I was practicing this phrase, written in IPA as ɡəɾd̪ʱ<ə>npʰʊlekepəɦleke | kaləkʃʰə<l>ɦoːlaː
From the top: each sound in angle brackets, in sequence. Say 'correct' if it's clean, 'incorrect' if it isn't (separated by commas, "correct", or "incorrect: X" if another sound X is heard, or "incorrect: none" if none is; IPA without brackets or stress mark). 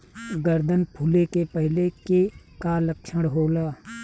correct, incorrect: ɽ